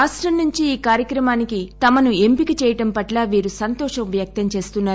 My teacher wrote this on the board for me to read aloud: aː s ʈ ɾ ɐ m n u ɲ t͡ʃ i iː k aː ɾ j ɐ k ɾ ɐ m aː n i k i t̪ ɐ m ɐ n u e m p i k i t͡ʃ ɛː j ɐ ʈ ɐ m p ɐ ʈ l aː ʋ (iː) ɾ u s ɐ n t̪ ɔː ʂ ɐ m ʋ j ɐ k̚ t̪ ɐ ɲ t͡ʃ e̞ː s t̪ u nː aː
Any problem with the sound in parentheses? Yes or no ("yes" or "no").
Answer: no